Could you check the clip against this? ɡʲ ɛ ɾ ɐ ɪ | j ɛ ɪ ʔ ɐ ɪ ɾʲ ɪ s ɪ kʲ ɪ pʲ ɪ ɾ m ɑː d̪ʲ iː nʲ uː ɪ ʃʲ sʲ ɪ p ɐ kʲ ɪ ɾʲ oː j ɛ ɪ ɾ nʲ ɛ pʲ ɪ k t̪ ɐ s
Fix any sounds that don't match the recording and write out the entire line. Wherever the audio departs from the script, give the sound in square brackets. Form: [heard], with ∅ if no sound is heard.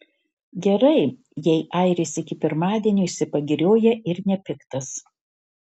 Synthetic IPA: ɡʲ ɛ ɾ ɐ ɪ | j ɛ ɪ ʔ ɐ ɪ ɾʲ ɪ s ɪ kʲ ɪ pʲ ɪ ɾ m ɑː d̪ʲ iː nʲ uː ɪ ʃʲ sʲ ɪ p ɐ [ɡʲ] ɪ ɾʲ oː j ɛ ɪ ɾ nʲ ɛ pʲ ɪ k t̪ ɐ s